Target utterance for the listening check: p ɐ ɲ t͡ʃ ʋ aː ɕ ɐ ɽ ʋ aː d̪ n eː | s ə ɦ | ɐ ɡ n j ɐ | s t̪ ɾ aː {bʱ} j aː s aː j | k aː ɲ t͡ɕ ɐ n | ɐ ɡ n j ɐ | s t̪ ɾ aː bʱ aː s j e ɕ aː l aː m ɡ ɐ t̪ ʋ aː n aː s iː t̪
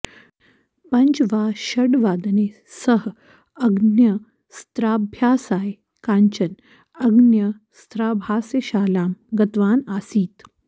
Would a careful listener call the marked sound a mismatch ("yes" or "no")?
no